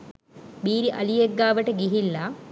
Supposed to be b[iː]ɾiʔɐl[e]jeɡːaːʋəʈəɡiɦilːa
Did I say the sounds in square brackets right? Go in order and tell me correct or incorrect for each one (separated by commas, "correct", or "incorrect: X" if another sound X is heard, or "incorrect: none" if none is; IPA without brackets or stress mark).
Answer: correct, incorrect: i